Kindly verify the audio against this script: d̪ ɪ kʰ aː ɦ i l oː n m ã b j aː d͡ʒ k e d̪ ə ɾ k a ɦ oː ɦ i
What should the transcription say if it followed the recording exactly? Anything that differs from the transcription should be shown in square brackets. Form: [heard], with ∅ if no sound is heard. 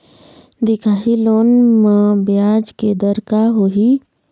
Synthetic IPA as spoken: d̪ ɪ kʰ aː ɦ i l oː n m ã b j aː d͡ʒ k e d̪ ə ɾ k a ɦ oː ɦ i